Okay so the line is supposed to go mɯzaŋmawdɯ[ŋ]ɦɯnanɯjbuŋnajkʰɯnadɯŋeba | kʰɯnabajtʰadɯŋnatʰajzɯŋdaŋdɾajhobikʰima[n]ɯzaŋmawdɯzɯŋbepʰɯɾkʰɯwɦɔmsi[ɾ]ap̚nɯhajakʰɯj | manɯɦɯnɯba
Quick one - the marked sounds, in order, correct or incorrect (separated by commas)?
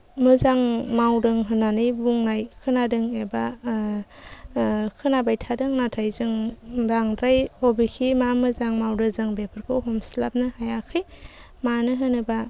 correct, incorrect, incorrect